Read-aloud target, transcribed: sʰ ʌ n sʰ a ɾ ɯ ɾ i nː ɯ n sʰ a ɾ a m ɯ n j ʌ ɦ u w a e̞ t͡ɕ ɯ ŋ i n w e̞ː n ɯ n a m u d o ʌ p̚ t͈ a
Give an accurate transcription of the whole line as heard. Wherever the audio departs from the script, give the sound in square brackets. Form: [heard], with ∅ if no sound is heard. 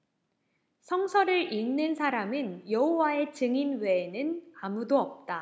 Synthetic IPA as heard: sʰ ʌ [ŋ] sʰ [ʌ] ɾ ɯ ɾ i nː ɯ n sʰ a ɾ a m ɯ n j ʌ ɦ [o] w a e̞ t͡ɕ ɯ ŋ i n w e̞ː n ɯ n a m u d o ʌ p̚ t͈ a